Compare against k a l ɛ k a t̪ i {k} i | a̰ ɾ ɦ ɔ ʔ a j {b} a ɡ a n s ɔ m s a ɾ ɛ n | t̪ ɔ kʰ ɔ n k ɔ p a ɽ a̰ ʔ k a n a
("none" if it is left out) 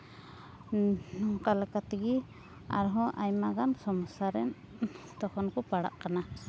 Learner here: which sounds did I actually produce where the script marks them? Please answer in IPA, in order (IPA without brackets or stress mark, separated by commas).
ɡ, m